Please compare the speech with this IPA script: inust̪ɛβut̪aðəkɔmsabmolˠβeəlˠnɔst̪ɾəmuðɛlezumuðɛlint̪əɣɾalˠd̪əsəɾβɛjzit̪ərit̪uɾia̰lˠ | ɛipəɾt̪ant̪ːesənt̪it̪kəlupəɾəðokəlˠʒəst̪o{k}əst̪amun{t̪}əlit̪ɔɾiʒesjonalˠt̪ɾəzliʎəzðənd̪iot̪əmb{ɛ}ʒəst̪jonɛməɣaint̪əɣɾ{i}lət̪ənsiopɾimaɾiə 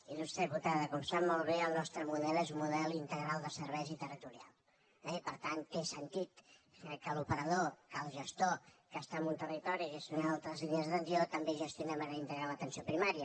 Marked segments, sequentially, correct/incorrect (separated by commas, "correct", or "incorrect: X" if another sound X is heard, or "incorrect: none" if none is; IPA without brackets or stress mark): correct, correct, incorrect: e, incorrect: a